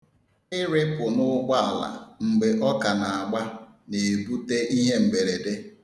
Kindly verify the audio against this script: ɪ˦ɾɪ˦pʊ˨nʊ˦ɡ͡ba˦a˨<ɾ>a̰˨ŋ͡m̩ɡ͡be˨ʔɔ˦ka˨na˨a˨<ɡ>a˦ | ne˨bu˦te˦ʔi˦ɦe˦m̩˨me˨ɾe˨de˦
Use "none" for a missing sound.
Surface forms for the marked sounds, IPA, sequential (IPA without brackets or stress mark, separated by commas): l, ɡ͡b